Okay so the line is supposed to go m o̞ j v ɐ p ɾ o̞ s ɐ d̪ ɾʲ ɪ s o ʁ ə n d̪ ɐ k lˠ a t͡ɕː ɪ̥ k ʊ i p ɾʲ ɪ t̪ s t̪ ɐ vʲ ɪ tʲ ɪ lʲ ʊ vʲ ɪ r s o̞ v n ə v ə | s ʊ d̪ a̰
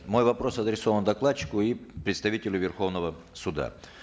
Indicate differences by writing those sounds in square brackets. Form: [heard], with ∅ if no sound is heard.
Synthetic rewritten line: m o̞ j v ɐ p ɾ o̞ s ɐ d̪ ɾʲ ɪ s o [v] ə n d̪ ɐ k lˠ a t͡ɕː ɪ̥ k ʊ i p ɾʲ ɪ t̪ s t̪ ɐ vʲ [i] tʲ ɪ lʲ ʊ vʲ ɪ r [x] o̞ v n ə v ə | s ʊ d̪ a̰